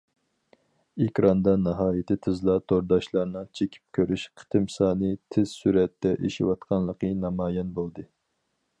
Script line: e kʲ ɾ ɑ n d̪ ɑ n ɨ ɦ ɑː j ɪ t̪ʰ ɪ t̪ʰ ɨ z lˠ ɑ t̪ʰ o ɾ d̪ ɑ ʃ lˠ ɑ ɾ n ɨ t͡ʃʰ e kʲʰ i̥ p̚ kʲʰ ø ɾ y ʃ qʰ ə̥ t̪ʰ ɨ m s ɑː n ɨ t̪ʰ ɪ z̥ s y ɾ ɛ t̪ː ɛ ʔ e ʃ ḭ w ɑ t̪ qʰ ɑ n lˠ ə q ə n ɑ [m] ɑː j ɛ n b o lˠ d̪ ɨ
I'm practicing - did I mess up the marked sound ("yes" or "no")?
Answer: no